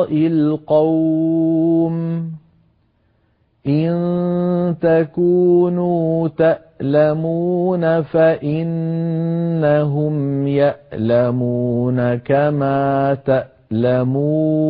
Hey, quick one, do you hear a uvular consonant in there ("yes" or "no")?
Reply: yes